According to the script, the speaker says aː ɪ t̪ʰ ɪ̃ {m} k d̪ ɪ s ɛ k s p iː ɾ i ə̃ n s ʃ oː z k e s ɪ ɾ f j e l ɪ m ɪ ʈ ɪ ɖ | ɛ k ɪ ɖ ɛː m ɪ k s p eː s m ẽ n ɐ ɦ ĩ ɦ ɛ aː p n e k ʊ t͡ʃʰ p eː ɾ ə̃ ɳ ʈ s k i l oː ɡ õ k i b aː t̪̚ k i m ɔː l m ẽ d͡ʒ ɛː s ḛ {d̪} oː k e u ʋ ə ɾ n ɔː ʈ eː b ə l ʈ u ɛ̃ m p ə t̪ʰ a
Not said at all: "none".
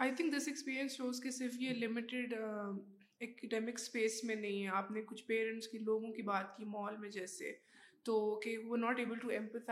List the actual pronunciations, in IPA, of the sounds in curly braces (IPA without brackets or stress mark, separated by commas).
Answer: ŋ, t̪